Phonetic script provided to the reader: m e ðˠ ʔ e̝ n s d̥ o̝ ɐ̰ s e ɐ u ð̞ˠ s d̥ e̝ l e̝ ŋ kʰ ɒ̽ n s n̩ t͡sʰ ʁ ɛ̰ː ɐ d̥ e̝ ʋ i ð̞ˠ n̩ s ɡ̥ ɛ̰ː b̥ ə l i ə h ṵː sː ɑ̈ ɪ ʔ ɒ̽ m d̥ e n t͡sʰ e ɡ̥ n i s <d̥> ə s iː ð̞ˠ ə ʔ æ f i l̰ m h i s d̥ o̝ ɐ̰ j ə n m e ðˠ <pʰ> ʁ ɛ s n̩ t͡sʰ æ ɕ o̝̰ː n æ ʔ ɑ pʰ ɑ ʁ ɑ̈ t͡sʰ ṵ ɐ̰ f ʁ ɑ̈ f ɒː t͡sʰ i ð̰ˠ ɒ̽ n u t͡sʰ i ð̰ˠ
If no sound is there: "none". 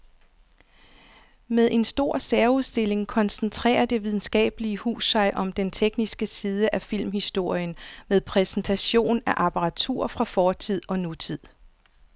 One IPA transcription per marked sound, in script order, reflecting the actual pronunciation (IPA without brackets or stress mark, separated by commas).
ɡ̥, pʰ